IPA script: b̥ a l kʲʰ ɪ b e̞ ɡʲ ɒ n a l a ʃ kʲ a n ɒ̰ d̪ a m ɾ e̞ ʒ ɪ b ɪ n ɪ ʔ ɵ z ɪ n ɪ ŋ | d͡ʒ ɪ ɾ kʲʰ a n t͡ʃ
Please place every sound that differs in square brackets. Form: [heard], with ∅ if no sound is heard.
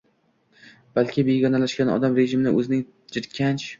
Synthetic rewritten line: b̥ a l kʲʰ ɪ b e̞ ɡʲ ɒ n a l a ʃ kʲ a n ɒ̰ d̪ a m ɾ e̞ ʒ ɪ [m] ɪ n ɪ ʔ ɵ z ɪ n ɪ ŋ | d͡ʒ ɪ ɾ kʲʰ a n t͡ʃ